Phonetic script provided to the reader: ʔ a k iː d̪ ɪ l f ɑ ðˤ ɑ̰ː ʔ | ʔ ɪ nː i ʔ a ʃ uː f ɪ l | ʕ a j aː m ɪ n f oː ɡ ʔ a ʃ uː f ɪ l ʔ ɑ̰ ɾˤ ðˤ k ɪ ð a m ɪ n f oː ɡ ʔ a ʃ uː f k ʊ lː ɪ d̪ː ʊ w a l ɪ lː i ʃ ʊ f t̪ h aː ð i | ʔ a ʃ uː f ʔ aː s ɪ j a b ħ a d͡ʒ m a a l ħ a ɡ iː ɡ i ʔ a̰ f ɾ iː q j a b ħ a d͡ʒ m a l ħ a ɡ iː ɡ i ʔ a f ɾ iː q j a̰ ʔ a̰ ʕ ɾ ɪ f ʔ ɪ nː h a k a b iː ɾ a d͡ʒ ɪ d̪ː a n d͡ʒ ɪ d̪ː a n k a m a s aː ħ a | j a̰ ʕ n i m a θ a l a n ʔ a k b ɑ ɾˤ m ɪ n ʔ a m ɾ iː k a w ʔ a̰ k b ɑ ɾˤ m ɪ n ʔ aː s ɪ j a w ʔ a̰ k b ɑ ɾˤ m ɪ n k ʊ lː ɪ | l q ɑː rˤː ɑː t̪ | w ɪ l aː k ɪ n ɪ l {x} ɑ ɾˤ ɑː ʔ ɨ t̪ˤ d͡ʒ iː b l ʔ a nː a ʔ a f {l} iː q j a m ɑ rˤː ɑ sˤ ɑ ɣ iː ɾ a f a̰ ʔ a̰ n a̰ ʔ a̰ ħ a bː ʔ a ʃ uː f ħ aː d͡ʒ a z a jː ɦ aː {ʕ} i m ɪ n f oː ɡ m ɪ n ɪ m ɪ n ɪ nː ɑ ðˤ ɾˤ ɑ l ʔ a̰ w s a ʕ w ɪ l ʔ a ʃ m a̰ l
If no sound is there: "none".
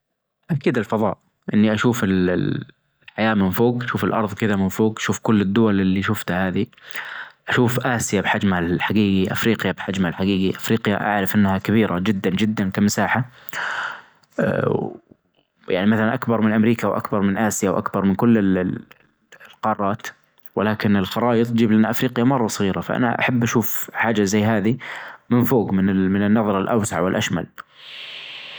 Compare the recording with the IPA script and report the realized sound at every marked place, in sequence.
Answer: x, ɾ, ð

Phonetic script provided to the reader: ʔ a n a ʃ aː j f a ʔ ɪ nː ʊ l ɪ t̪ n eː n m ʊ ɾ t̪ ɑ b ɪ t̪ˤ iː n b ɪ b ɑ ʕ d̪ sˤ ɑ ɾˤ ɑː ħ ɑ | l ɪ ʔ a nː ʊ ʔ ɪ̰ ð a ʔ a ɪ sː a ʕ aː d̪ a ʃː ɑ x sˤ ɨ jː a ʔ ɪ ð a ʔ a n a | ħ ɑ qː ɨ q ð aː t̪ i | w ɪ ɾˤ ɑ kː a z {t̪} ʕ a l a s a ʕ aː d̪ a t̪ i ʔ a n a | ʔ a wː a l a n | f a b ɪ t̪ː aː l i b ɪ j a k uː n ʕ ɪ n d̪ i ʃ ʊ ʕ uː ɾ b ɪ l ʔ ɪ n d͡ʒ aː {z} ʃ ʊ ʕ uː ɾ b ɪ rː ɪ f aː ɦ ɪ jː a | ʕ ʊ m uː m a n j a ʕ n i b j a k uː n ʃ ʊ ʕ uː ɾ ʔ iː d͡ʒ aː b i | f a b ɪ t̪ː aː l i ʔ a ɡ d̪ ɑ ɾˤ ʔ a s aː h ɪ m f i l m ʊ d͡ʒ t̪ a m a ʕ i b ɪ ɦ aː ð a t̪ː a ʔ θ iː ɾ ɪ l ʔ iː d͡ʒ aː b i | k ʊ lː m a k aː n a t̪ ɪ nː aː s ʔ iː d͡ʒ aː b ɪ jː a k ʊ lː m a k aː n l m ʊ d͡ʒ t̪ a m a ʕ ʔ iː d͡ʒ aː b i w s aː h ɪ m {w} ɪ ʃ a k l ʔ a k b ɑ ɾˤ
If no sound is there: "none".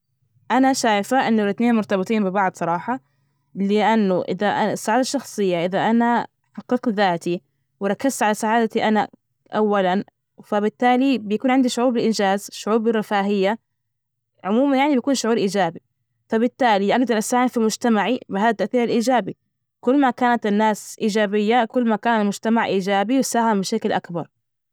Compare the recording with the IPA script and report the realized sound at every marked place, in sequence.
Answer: t̪, z, b

